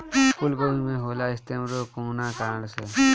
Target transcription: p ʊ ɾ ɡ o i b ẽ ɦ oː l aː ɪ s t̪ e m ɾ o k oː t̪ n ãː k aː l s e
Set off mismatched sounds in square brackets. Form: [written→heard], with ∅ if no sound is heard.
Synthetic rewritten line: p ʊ [ɾ→l] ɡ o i [b→m] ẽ ɦ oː l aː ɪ s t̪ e m ɾ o k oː [t̪→∅] n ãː k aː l s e